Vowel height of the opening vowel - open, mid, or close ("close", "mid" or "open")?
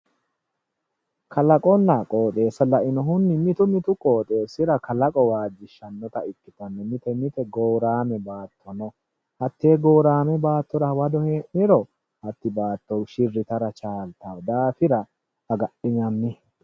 open